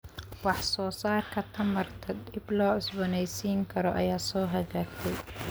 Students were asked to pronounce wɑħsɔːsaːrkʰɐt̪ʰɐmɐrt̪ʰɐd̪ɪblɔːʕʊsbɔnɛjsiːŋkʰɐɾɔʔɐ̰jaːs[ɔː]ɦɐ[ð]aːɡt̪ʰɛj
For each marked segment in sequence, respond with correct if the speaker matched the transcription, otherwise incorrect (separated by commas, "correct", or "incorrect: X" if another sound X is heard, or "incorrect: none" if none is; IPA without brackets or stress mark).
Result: correct, incorrect: ɣ